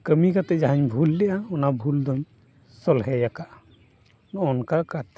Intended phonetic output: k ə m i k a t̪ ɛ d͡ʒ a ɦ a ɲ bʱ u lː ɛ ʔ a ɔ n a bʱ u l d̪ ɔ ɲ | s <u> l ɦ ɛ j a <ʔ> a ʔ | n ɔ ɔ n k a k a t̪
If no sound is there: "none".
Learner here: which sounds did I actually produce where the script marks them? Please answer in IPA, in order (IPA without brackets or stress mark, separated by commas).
ɔ, k